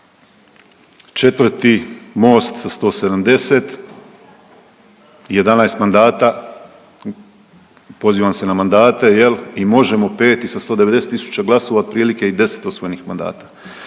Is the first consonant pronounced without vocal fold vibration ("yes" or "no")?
yes